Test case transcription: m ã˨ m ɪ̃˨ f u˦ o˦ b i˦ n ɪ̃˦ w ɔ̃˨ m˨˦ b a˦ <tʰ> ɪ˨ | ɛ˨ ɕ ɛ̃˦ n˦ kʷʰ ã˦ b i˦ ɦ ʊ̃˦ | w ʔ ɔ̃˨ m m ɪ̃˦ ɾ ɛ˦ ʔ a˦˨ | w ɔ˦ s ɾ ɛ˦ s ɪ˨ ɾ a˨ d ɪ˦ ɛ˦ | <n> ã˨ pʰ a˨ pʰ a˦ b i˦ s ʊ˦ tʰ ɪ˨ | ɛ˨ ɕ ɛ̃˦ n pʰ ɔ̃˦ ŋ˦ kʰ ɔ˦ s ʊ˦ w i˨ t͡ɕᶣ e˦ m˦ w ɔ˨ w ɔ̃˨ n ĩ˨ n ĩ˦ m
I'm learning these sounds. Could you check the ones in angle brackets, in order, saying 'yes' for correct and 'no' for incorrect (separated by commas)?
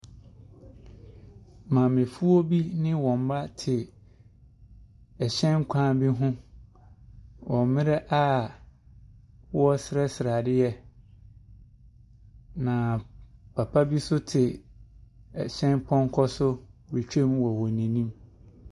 yes, yes